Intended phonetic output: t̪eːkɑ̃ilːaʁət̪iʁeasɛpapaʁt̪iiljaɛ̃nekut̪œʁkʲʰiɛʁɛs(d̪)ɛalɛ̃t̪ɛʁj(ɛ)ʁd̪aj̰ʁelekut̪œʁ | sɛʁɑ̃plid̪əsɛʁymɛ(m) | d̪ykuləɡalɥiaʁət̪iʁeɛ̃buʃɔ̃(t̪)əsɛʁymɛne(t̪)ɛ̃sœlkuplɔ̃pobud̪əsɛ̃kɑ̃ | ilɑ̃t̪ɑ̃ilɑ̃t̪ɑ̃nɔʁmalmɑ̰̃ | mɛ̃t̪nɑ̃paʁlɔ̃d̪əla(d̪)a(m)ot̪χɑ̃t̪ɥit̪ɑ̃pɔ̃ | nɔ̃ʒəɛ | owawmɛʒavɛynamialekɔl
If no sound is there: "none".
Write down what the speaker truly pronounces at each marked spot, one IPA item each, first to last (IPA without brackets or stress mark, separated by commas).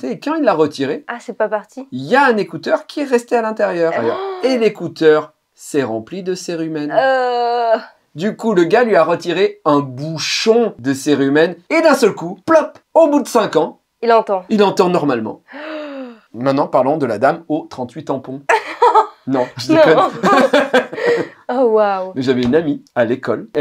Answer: t̪, œ, n, d̪, d̪, d̪, m